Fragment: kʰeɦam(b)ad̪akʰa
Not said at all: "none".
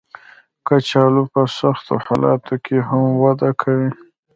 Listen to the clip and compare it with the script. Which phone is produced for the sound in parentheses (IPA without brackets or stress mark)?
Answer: w